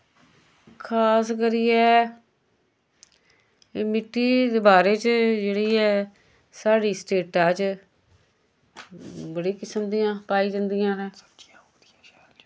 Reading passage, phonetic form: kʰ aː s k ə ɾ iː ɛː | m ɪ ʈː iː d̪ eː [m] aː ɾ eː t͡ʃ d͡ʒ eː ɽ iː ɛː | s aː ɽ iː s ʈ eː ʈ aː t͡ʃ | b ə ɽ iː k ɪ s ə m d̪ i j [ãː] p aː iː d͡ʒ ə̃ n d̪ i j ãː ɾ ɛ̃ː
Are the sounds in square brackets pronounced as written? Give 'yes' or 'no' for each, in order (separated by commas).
no, yes